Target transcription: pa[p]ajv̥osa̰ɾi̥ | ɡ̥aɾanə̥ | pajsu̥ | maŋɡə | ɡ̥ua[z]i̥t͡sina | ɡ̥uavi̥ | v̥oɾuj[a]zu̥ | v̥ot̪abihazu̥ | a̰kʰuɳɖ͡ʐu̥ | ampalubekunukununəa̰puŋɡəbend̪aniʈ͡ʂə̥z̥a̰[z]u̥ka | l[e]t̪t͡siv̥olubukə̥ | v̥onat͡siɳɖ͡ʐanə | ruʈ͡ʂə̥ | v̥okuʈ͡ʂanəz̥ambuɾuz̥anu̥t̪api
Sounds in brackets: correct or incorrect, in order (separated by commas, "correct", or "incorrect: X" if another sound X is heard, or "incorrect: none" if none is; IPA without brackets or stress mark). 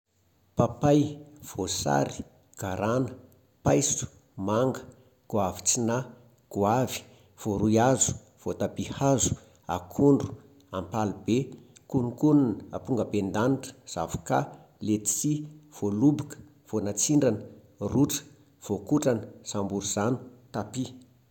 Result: correct, incorrect: v, correct, incorrect: v, correct